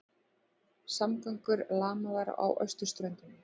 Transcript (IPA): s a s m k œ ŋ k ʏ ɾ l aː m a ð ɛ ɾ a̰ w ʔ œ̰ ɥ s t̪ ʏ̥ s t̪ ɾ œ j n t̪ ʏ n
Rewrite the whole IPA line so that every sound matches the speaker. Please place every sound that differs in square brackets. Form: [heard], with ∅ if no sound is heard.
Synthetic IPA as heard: s a [∅] m k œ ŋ k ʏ ɾ l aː m a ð [a] ɾ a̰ w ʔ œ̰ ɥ s t̪ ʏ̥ s t̪ ɾ œ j n t̪ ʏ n